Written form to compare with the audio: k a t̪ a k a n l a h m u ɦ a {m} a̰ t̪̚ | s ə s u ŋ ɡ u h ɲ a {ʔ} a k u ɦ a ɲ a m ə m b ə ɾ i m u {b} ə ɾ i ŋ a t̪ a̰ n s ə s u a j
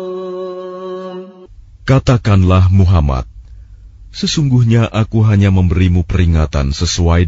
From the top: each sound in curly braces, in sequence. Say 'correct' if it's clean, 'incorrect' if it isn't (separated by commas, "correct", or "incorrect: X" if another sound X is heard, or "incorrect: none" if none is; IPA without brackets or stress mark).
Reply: correct, correct, incorrect: p